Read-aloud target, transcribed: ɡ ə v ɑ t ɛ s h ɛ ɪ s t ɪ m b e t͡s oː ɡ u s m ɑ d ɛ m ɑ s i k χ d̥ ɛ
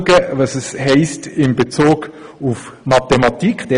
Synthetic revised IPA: ɡ ə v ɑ s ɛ s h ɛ ɪ s t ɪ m b e t͡s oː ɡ u f m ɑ t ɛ m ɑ t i k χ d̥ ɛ